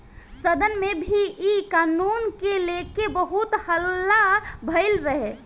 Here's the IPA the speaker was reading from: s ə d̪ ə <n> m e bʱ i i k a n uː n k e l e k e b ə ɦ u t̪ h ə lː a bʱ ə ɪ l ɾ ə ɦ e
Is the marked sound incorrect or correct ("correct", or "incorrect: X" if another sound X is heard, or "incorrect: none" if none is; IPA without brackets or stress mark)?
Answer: correct